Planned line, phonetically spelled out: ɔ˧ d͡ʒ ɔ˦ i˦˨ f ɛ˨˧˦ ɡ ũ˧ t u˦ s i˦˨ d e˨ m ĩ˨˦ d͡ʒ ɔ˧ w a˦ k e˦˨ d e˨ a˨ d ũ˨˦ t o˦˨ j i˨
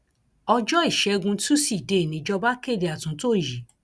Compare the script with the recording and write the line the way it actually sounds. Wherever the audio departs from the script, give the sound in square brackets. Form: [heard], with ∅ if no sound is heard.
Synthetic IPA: ɔ˧ d͡ʒ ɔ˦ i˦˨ [ʃ] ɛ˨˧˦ ɡ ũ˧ t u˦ s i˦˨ d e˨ [n] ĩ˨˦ d͡ʒ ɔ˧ [b] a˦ k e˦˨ d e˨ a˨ [t] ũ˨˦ t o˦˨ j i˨